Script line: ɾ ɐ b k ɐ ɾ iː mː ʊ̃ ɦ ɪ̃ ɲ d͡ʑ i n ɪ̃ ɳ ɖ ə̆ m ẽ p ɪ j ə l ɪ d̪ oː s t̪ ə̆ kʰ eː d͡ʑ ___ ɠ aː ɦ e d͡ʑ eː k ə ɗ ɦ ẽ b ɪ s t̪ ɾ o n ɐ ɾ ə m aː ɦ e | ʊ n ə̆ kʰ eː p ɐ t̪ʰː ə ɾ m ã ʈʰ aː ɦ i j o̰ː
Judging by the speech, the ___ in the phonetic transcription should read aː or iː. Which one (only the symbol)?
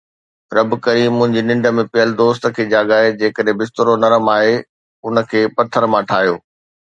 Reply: aː